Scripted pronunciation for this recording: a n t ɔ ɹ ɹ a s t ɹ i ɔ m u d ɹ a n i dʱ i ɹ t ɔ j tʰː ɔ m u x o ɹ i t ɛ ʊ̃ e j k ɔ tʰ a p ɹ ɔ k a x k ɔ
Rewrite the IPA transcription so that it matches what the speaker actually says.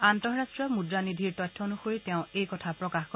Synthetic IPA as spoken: a n t ɔ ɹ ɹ a s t ɹ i ɔ m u d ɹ a n i dʱ i ɹ t ɔ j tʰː ɔ n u x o ɹ i t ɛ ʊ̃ e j k ɔ tʰ a p ɹ ɔ k a x k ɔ